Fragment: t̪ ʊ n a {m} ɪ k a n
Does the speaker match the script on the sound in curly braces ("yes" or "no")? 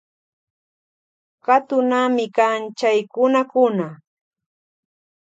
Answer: yes